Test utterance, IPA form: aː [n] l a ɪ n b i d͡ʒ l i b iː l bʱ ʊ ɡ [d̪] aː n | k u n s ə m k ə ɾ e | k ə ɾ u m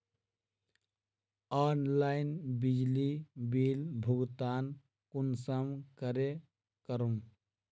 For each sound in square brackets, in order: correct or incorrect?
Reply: correct, incorrect: t̪

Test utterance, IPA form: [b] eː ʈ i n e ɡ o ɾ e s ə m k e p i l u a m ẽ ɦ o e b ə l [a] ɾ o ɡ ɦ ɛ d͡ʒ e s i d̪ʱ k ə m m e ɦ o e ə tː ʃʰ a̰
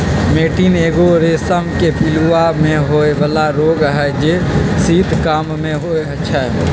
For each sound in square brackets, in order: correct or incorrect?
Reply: incorrect: m, correct

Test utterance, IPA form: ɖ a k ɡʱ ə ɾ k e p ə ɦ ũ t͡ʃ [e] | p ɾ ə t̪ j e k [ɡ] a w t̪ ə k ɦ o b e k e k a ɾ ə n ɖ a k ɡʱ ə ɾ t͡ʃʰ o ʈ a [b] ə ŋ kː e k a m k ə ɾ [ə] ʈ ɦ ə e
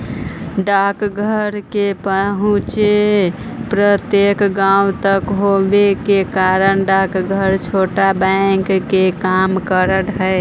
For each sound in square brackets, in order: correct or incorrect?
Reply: correct, correct, correct, correct

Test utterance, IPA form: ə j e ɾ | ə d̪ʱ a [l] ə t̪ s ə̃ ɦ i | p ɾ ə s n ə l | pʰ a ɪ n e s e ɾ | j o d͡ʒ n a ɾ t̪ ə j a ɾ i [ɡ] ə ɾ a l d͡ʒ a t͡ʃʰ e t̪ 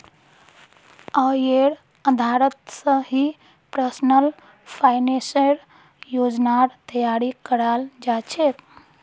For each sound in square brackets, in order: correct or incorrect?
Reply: incorrect: ɾ, incorrect: k

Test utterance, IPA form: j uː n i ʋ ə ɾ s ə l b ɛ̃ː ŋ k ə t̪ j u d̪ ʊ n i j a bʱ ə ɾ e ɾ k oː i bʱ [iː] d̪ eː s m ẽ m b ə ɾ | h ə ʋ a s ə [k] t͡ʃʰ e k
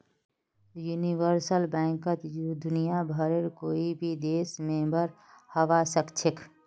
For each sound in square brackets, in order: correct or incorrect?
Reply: incorrect: i, correct

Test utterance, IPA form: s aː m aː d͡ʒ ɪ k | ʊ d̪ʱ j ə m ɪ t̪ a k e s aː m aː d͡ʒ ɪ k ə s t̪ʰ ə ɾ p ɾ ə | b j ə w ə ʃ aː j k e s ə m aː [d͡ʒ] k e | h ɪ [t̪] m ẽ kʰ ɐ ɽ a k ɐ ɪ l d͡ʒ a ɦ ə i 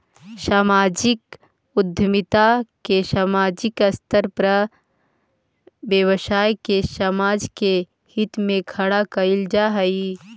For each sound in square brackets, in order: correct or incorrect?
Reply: correct, correct

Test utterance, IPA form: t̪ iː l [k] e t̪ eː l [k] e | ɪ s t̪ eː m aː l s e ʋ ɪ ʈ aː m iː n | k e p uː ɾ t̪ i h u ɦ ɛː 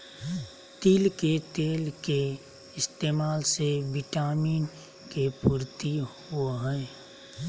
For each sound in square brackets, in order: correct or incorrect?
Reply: correct, correct

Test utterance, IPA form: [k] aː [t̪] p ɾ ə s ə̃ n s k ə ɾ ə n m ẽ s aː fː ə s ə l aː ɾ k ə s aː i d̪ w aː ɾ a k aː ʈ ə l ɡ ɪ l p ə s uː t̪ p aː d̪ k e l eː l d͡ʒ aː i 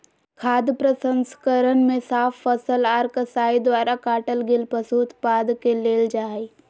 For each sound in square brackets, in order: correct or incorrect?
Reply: incorrect: kʰ, incorrect: d̪

